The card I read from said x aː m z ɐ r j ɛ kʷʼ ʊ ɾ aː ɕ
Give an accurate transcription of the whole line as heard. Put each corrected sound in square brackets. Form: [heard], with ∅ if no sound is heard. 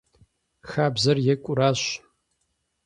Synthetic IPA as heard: x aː [b] z ɐ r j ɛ kʷʼ ʊ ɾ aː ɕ

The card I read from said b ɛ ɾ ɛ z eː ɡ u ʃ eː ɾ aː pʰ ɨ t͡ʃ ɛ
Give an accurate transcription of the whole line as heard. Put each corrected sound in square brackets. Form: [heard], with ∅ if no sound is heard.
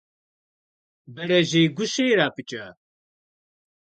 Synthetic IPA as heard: b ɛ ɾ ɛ [ʒ] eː ɡ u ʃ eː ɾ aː [p] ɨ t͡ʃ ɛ

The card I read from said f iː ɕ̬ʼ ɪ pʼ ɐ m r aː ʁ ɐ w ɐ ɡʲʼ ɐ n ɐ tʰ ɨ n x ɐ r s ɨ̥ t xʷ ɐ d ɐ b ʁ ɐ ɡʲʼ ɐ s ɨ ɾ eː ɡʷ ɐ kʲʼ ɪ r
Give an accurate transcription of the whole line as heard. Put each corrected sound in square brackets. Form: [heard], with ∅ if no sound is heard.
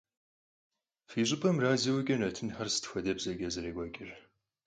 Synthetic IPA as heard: f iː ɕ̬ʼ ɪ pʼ ɐ m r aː [z] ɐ w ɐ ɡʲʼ ɐ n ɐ tʰ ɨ n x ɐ r s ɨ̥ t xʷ ɐ d ɐ b [z] ɐ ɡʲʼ ɐ [z] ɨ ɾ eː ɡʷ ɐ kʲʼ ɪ r

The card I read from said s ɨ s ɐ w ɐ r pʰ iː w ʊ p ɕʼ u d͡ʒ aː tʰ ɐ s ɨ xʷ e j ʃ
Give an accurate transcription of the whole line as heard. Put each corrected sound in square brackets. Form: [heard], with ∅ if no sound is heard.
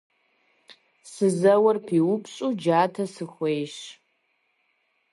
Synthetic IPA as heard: s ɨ [z] ɐ w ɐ r pʰ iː w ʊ p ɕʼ u d͡ʒ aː tʰ ɐ s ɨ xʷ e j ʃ

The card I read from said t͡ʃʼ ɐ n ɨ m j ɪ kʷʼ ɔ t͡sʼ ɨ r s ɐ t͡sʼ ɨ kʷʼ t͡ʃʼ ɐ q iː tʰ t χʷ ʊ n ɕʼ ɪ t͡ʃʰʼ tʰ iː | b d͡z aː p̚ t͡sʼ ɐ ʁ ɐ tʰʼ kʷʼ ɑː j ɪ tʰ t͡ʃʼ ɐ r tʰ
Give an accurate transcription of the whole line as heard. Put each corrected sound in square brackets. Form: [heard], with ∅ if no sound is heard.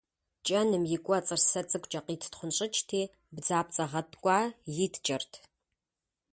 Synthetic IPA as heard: t͡ʃʼ ɐ n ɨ m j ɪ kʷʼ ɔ t͡sʼ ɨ r s ɐ t͡sʼ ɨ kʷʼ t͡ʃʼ ɐ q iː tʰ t χʷ ʊ n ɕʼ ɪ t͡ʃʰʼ tʰ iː | b d͡z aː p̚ t͡sʼ ɐ ʁ ɐ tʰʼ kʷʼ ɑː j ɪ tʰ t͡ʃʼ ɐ r tʰ

